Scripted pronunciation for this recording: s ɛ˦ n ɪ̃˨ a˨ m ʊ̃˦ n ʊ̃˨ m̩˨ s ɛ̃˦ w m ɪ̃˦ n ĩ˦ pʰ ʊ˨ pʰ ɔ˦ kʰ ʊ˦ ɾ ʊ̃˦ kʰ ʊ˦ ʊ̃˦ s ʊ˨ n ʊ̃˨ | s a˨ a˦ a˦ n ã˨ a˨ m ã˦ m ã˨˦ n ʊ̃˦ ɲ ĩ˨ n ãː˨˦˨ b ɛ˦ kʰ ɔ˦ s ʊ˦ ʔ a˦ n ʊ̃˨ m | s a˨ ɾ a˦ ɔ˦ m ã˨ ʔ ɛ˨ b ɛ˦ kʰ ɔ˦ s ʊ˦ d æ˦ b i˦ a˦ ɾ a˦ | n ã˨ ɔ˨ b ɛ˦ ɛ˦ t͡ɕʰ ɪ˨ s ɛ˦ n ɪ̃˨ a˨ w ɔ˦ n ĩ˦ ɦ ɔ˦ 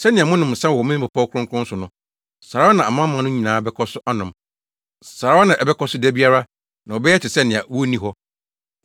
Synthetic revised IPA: s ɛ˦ n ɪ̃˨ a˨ m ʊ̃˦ n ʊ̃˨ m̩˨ s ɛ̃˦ w m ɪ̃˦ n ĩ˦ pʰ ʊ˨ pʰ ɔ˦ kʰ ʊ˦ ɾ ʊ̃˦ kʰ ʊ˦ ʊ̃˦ s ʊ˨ n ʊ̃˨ | s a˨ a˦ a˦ n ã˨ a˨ m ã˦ m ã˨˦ n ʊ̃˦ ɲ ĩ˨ n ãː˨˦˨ b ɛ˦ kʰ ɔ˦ s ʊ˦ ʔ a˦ n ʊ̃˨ m | s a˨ ɾ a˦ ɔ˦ n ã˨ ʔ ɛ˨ b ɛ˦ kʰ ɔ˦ s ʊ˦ d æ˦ b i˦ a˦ ɾ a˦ | n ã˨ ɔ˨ b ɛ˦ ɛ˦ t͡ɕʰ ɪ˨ s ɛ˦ n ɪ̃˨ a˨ w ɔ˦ n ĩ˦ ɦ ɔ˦